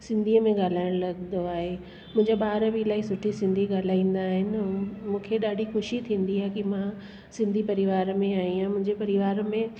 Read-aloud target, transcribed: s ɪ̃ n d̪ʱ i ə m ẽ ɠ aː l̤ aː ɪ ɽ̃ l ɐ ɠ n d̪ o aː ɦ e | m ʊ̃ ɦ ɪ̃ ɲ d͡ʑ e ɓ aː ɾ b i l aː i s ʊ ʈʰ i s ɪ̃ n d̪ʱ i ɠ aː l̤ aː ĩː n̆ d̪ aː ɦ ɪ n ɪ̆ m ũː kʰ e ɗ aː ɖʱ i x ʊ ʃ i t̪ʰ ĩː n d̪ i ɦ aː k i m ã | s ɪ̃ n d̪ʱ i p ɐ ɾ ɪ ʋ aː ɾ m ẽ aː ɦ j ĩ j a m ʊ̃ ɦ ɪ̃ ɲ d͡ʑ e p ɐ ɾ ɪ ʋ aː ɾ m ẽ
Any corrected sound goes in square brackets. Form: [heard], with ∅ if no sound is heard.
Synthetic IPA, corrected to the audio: s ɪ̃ n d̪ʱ i ə m ẽ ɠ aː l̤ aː ɪ ɽ̃ l ɐ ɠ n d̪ o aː ɦ e | m ʊ̃ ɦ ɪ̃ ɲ d͡ʑ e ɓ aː ɾ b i l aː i s ʊ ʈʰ i s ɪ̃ n d̪ʱ i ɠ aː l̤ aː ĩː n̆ d̪ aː ɦ ɪ n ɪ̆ m ũː kʰ e ɗ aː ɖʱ i x ʊ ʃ i t̪ʰ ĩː n d̪ i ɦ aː k i m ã | s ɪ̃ n d̪ʱ i p ɐ ɾ ɪ ʋ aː ɾ m ẽ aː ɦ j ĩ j a m ʊ̃ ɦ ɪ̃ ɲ d͡ʑ e p ɐ ɾ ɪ ʋ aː ɾ m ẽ